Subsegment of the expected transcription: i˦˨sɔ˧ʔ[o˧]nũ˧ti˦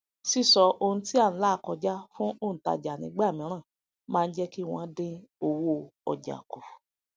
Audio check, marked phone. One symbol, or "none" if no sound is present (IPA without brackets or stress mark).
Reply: o˧